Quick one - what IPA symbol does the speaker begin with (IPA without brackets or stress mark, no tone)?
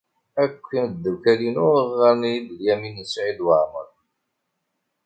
æ